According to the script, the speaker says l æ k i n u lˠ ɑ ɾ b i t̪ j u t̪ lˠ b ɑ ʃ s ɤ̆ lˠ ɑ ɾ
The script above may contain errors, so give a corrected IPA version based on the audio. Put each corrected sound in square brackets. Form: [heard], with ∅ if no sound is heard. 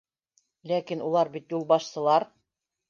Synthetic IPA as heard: l æ k i n u lˠ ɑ ɾ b i t̪ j u [∅] lˠ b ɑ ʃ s ɤ̆ lˠ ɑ ɾ